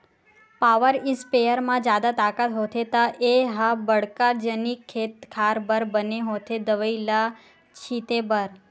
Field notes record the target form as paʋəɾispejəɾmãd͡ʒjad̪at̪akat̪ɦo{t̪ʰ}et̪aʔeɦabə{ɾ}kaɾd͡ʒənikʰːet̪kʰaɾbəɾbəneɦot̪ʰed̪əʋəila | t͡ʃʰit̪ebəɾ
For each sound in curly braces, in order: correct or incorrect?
correct, incorrect

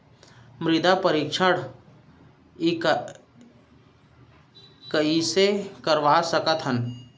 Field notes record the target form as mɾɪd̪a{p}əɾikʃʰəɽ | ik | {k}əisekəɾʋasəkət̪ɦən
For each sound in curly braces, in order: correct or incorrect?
correct, correct

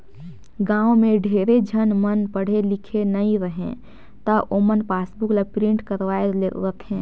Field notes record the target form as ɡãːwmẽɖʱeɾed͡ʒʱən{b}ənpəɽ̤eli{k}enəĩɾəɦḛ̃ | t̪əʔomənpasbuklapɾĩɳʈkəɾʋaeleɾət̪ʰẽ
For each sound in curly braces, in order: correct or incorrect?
incorrect, incorrect

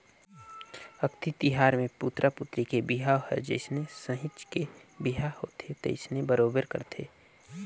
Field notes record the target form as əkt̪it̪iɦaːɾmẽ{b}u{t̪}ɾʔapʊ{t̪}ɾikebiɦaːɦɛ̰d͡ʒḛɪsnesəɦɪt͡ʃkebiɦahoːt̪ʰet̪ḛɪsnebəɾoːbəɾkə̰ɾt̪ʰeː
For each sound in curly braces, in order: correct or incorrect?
incorrect, correct, correct

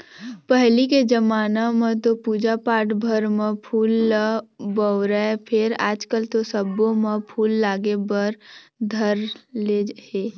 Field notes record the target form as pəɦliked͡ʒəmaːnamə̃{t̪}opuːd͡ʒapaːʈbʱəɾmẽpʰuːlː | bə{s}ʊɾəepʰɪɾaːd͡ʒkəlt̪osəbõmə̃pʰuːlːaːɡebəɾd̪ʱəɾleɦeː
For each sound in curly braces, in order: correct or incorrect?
correct, incorrect

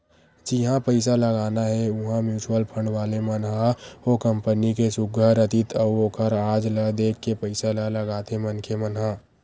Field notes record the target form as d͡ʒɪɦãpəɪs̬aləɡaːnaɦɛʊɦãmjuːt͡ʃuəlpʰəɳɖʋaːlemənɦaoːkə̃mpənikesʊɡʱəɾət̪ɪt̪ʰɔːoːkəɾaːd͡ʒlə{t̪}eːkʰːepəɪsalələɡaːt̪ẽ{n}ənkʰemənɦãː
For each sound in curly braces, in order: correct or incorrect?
incorrect, incorrect

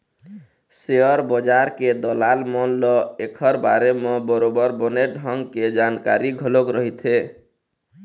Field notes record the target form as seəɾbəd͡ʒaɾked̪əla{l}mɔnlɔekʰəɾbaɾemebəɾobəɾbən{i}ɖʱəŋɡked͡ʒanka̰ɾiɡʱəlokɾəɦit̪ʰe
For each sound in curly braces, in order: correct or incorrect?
correct, incorrect

